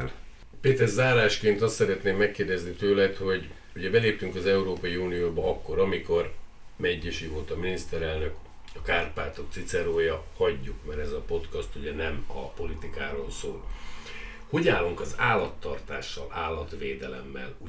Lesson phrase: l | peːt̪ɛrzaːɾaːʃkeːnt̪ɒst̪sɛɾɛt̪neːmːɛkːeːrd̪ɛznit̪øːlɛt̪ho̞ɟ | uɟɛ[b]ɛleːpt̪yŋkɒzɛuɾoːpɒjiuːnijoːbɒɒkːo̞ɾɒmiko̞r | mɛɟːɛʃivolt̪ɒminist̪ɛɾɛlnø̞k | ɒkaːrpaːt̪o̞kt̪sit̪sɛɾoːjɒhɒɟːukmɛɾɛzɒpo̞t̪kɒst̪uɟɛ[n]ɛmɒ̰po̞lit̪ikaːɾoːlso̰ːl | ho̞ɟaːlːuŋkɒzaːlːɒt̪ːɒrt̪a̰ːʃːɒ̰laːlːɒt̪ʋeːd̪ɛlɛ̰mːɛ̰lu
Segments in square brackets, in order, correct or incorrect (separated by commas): correct, correct